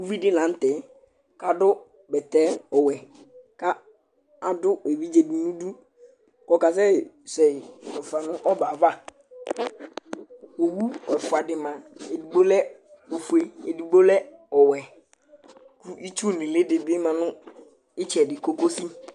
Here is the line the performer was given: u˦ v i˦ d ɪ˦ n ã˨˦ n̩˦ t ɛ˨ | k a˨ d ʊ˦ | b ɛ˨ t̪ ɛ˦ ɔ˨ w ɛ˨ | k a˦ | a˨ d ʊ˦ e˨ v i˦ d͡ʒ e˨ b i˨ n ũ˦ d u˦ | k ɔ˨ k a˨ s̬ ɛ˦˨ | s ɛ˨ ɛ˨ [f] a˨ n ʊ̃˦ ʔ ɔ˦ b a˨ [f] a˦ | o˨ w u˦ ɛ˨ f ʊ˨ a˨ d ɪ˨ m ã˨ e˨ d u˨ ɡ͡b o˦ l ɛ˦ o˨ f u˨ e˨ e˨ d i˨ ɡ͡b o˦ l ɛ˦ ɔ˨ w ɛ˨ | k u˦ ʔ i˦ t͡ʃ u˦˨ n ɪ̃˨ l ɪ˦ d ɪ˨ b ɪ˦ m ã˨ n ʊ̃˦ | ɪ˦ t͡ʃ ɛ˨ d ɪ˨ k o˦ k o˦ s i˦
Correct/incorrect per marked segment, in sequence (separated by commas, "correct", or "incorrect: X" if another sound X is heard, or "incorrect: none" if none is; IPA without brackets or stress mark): correct, incorrect: v